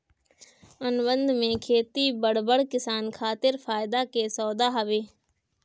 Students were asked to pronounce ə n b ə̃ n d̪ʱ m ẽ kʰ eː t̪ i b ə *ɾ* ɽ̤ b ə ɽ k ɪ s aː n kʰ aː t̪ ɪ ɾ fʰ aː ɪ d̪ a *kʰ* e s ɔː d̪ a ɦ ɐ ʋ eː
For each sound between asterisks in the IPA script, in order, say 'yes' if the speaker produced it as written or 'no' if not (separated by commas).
no, no